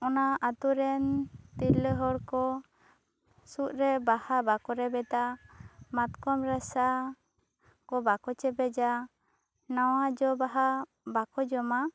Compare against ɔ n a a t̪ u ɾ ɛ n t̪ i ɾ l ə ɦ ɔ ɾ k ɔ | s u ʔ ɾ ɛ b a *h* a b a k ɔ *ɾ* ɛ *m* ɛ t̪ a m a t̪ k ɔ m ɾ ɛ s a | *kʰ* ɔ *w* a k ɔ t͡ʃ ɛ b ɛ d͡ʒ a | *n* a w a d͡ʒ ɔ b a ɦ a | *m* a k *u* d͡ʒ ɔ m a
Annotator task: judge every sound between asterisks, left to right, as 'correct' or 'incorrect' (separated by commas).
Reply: correct, correct, incorrect, incorrect, incorrect, correct, incorrect, incorrect